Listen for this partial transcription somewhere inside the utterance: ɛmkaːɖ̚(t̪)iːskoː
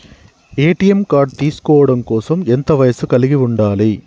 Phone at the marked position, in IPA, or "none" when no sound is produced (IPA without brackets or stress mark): t̪